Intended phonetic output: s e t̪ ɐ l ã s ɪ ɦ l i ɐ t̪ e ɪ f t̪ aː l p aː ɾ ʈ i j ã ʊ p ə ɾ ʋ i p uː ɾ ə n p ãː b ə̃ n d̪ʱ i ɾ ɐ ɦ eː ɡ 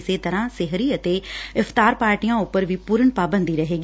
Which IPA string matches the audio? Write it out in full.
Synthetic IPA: s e t̪ ɐ ɾ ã s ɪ ɦ ɾ i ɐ t̪ e ɪ f t̪ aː ɾ p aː ɾ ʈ i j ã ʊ p ə ɾ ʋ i p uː ɾ ə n p aː b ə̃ n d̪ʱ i ɾ ɐ ɦ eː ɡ